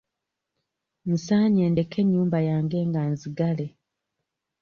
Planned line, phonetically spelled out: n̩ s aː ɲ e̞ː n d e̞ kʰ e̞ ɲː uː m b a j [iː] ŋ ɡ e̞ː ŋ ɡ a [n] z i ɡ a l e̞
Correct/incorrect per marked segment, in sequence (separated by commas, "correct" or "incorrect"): incorrect, correct